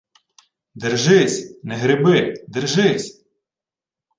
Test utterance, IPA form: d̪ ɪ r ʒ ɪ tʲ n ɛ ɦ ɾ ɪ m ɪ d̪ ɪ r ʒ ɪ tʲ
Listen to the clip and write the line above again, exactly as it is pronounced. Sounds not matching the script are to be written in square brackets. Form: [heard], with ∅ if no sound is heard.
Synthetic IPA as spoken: d̪ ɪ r ʒ ɪ [sʲ] n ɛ ɦ ɾ ɪ [b] ɪ d̪ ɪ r ʒ ɪ [sʲ]